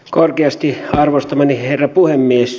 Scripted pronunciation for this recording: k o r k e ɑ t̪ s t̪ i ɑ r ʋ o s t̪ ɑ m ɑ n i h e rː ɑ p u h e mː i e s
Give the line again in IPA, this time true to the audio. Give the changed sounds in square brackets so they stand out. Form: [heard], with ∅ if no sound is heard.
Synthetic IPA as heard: k o r k e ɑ [∅] s t̪ i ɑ r ʋ o s t̪ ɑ m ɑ n i h e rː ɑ p u h e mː i e s